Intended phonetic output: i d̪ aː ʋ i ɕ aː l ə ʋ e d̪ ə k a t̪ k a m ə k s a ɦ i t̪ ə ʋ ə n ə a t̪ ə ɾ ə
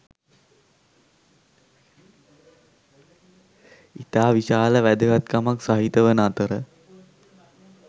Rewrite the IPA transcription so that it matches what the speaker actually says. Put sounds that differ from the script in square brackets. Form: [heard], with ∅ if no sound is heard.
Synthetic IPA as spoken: i [t̪] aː ʋ i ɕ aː l ə ʋ [æ] d̪ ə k a t̪ k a m [a] k s a ɦ i t̪ ə ʋ ə n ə a t̪ ə ɾ ə